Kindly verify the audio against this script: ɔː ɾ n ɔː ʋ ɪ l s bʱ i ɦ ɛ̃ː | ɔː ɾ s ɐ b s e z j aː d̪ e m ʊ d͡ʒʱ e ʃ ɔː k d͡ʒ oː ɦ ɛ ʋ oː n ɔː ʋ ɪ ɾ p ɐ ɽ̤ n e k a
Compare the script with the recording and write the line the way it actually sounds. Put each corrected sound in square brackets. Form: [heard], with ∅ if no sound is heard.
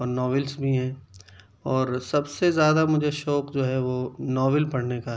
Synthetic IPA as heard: ɔː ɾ n ɔː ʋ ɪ l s bʱ i ɦ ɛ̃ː | ɔː ɾ s ɐ b s e z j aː d̪ [a] m ʊ d͡ʒʱ e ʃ ɔː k d͡ʒ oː ɦ ɛ ʋ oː n ɔː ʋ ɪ [l] p ɐ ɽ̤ n e k a